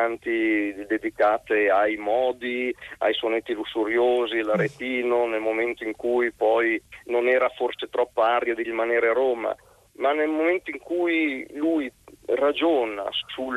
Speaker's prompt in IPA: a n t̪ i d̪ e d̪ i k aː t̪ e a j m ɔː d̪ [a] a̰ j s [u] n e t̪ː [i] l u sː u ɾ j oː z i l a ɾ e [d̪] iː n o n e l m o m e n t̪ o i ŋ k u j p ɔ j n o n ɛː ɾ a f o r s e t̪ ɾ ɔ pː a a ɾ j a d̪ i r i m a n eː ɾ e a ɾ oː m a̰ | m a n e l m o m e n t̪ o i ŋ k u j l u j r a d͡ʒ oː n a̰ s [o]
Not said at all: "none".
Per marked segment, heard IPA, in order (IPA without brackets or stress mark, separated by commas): i, o, i, t̪, u